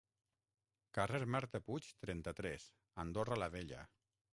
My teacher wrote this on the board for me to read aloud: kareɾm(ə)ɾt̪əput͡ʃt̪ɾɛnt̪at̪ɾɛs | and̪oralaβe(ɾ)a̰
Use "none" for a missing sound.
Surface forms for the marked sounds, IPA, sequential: a, ʎ

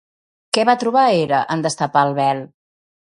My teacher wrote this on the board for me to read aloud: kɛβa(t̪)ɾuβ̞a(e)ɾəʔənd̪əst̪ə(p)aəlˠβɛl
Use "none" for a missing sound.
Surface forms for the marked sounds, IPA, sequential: t̪, e, p

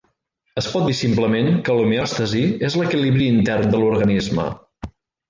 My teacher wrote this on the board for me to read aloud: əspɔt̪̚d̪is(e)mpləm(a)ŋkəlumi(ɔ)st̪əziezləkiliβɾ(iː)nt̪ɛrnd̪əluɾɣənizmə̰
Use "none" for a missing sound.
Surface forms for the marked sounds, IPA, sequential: i, e, ɔ, iː

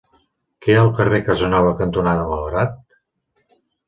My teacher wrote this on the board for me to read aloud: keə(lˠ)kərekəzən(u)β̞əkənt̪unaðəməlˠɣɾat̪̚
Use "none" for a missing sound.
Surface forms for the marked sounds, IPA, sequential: lˠ, ɔ

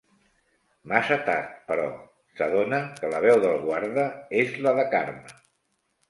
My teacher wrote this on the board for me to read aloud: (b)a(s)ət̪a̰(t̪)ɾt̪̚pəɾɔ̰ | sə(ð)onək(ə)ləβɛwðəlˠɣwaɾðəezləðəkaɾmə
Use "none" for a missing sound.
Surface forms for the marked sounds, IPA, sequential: m, s, none, ð, ə

